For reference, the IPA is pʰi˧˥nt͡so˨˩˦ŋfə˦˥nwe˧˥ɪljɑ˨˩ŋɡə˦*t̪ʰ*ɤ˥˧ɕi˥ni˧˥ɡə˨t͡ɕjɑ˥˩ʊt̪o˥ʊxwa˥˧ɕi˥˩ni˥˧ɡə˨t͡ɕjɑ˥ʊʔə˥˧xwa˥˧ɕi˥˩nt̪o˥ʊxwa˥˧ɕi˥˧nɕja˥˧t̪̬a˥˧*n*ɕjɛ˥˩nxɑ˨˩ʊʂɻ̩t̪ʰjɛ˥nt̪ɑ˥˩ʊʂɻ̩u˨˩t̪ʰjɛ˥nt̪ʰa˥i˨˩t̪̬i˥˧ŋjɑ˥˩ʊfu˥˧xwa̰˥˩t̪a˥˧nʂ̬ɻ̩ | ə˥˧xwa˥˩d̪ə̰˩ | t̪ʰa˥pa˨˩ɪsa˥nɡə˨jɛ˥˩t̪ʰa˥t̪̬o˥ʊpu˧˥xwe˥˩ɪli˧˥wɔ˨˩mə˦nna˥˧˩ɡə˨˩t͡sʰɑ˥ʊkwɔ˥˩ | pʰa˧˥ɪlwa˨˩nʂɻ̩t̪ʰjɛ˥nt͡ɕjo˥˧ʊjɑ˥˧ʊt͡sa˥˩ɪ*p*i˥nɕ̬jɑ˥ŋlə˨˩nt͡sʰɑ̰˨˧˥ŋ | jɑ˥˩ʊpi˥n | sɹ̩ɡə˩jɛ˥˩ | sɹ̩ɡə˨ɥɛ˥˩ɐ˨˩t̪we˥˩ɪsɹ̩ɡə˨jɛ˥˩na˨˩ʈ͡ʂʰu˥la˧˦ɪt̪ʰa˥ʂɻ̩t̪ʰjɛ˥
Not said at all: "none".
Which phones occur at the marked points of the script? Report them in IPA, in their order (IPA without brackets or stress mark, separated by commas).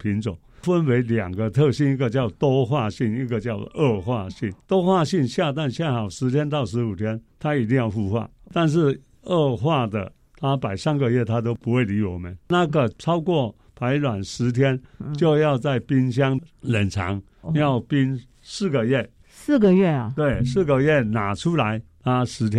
t̪ʰ, n, p